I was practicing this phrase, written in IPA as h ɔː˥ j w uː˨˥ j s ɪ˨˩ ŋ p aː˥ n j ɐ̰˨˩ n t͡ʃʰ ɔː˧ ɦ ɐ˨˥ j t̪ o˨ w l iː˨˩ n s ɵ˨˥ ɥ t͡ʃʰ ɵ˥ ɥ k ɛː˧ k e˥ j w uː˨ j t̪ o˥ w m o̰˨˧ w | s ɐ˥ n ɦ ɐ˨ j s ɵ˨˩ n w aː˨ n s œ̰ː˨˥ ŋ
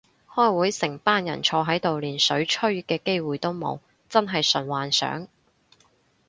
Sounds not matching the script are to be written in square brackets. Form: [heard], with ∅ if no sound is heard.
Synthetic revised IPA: h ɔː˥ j w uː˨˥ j s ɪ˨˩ ŋ p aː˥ n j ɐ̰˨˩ n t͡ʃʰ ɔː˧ ɦ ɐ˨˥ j t̪ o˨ w l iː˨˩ n s ɵ˨˥ ɥ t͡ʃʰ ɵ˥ ɥ k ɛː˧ k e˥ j w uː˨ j t̪ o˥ w m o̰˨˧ w | [t͡s] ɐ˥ n ɦ ɐ˨ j s ɵ˨˩ n w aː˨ n s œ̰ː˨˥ ŋ